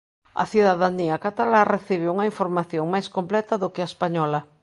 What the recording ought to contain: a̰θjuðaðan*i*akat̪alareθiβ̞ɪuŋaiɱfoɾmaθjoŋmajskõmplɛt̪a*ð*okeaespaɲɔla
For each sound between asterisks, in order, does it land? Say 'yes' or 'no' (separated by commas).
yes, yes